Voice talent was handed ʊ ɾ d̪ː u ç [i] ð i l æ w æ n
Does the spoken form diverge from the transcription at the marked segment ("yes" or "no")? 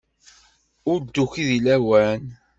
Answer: no